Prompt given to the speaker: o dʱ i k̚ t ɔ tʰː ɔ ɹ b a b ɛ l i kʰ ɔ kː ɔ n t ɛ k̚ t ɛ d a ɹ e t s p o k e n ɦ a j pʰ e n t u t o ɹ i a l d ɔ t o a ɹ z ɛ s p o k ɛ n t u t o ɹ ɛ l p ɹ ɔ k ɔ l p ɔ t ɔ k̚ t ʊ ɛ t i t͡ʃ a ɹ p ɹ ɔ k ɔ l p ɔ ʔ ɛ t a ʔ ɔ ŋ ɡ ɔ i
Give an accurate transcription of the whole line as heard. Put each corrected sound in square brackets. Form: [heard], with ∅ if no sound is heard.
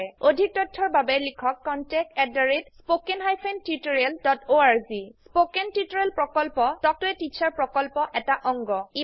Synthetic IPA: o dʱ i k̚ t ɔ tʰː ɔ ɹ b a b ɛ l i kʰ ɔ kː ɔ n t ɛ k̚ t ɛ d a ɹ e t s p o k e n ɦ a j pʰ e n t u t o ɹ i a l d ɔ t o a ɹ z [i] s p o k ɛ n t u t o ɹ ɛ l p ɹ ɔ k ɔ l p ɔ t ɔ k̚ t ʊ ɛ t i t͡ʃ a ɹ p ɹ ɔ k ɔ l p ɔ ʔ ɛ t a ʔ ɔ ŋ ɡ ɔ i